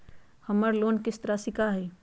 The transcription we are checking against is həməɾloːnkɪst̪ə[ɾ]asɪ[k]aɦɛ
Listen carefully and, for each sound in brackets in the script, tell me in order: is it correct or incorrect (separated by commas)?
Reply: correct, correct